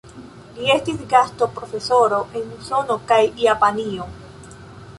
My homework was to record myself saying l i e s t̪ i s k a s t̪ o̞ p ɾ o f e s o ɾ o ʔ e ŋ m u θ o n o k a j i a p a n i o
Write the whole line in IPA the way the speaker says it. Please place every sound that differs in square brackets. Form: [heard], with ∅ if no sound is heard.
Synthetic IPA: l i e s t̪ i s [ɡ] a s t̪ o̞ p ɾ o f e s o ɾ o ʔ e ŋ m u [s] o n o k a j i a p a n i o